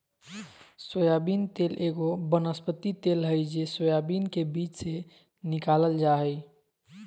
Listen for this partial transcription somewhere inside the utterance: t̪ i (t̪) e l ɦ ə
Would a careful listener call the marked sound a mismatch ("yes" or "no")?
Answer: no